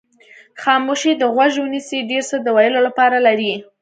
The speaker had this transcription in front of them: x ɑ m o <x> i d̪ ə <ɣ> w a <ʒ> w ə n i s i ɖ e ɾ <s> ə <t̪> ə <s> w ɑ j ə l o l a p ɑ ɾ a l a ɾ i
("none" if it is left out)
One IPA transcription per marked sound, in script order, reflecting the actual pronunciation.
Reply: ʃ, ɣ, ʒ, s, d̪, none

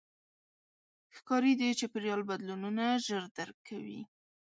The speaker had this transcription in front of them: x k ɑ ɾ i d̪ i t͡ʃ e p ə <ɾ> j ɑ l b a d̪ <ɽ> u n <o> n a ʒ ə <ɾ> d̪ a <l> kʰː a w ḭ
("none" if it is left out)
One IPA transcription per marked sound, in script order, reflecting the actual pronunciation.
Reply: ɾ, l, u, ɾ, ɾ

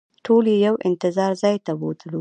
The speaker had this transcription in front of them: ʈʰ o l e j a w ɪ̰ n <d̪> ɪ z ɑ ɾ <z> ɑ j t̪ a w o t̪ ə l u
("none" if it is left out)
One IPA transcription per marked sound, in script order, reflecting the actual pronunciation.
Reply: t̪, z

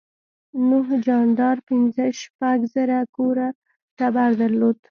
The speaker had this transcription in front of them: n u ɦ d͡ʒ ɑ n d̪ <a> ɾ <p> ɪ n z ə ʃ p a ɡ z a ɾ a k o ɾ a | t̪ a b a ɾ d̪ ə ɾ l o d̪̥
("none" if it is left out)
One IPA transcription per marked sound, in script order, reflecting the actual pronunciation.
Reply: ɑ, p

